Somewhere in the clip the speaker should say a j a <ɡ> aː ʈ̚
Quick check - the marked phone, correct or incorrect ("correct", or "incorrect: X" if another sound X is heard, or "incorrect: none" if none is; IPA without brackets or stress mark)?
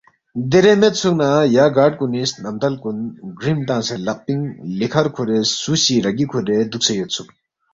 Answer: correct